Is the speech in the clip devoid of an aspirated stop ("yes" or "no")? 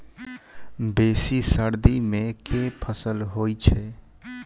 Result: no